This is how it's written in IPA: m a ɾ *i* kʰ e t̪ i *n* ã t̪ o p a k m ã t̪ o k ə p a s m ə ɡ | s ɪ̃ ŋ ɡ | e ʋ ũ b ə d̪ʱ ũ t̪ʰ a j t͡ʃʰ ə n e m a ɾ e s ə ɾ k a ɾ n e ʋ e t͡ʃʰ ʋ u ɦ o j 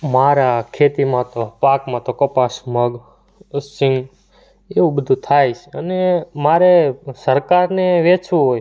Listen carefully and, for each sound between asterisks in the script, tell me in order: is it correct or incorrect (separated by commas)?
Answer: incorrect, incorrect